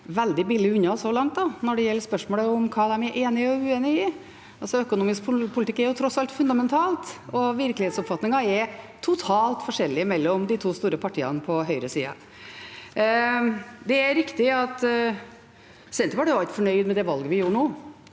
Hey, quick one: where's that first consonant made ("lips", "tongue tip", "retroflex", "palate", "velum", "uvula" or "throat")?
lips